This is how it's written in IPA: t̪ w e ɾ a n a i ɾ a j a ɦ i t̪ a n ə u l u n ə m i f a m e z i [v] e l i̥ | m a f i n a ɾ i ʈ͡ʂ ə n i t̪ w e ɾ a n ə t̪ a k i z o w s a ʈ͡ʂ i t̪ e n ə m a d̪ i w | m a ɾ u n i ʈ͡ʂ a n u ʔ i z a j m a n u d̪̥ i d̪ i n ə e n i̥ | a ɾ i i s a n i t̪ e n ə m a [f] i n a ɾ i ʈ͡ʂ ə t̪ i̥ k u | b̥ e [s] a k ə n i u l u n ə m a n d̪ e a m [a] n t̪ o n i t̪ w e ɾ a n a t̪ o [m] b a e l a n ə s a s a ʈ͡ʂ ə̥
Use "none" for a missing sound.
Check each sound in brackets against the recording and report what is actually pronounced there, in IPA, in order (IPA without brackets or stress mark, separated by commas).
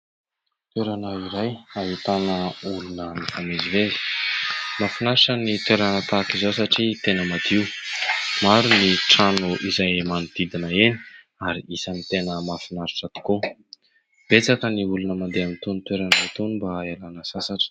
v, f, t͡s, i, n